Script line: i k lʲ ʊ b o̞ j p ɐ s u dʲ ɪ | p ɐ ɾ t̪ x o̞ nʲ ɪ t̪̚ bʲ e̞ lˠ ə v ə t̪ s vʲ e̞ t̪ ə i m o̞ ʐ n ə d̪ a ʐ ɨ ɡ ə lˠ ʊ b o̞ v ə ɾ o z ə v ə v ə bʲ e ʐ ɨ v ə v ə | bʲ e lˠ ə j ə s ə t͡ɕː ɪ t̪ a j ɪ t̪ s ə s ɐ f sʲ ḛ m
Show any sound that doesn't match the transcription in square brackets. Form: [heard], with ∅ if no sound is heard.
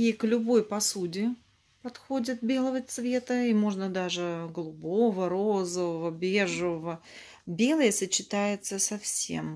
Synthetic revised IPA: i k lʲ ʊ b o̞ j p ɐ s u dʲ ɪ | p ɐ [∅] t̪ x o̞ [dʲ] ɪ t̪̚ bʲ e̞ lˠ ə v ə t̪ s vʲ e̞ t̪ ə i m o̞ ʐ n ə d̪ a ʐ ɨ ɡ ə lˠ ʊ b o̞ v ə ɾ o z ə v ə v ə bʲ e ʐ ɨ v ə v ə | bʲ e lˠ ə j ə s ə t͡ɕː ɪ t̪ a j ɪ t̪ s ə s ɐ f sʲ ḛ m